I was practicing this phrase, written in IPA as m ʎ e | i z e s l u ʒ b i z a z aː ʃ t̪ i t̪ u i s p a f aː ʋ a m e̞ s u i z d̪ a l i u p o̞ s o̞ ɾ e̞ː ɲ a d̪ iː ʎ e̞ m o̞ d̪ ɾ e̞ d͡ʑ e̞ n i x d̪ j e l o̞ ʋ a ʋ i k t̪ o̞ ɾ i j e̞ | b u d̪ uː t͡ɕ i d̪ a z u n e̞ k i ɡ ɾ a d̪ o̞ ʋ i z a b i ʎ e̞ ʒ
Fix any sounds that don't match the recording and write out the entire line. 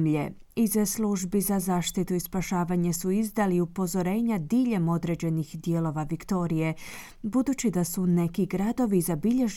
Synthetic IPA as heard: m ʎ e | i z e s l u ʒ b i z a z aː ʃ t̪ i t̪ u i s p a ʃ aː ʋ a ɲ e̞ s u i z d̪ a l i u p o̞ z o̞ ɾ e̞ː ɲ a d̪ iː ʎ e̞ m o̞ d̪ ɾ e̞ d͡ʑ e̞ n i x d̪ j e l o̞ ʋ a ʋ i k t̪ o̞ ɾ i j e̞ | b u d̪ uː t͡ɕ i d̪ a s u n e̞ k i ɡ ɾ a d̪ o̞ ʋ i z a b i ʎ e̞ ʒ